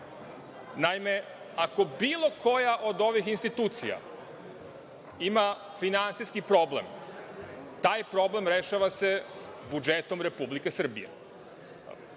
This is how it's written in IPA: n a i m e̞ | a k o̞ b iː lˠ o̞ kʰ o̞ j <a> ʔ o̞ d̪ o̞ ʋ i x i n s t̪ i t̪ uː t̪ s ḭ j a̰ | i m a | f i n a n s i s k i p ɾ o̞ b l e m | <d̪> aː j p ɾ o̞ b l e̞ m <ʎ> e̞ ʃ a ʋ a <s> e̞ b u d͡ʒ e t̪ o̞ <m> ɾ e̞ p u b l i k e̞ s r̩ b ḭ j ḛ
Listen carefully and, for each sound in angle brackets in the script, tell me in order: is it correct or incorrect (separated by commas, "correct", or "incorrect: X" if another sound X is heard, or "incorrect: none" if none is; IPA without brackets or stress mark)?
correct, incorrect: t̪, incorrect: ɾ, correct, correct